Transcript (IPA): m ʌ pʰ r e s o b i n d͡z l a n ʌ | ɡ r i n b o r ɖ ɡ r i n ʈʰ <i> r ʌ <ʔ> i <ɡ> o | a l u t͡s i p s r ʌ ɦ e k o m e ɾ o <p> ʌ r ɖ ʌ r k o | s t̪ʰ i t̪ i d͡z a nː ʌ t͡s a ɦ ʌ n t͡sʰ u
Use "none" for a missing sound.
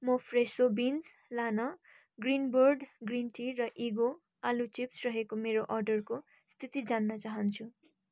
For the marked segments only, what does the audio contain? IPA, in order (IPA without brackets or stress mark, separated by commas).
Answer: i, ʔ, ɡ, ʔ